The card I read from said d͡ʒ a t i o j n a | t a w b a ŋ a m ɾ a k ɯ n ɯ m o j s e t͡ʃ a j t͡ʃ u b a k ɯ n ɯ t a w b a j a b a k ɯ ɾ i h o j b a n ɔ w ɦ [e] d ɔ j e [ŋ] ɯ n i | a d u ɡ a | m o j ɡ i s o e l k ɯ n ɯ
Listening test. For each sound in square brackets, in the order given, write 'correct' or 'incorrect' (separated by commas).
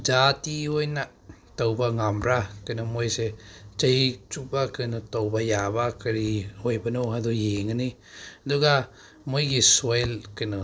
incorrect, correct